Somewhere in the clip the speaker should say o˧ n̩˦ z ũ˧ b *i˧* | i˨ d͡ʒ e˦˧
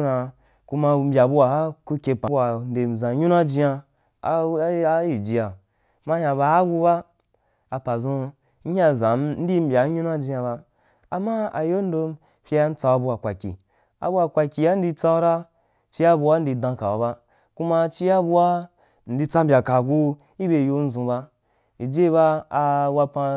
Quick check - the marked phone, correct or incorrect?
incorrect